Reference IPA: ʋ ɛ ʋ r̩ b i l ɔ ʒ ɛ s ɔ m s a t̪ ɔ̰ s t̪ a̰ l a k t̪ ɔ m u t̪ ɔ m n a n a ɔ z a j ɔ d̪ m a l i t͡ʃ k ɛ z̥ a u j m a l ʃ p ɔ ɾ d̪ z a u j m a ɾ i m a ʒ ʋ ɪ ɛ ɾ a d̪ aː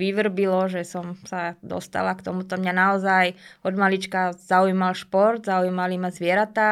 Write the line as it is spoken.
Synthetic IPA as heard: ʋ i ʋ r̩ b i l ɔ ʒ ɛ s ɔ m s a d̪ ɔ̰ s t̪ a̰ l a k t̪ ɔ m u t̪ ɔ m ɲ a n a ɔ z a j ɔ d̪ m a l i t͡ʃ k a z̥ a u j m a l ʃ p ɔ ɾ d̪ z a u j m a l i m a z ʋ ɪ ɛ ɾ a t̪ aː